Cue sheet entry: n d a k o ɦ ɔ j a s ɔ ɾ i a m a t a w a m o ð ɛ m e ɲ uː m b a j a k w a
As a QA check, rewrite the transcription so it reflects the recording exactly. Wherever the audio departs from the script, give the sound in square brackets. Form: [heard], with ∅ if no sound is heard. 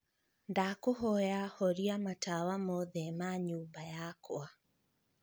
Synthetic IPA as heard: n d a k o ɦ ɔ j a [h] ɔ ɾ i a m a t a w a m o ð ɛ m [a] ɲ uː m b a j a k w a